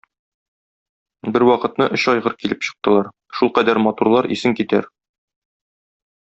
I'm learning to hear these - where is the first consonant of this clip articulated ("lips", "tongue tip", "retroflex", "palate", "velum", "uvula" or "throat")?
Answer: lips